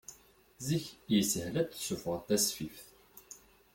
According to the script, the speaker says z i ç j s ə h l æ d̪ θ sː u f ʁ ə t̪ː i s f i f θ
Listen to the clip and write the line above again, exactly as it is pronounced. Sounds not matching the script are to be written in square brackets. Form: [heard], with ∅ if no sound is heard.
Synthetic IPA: z i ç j s ə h l æ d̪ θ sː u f ʁ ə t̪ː [æ] s f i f θ